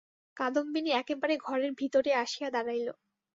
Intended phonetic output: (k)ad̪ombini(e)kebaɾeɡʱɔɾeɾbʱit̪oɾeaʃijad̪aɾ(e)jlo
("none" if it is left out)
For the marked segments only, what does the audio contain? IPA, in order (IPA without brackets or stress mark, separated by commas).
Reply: k, ɛ, a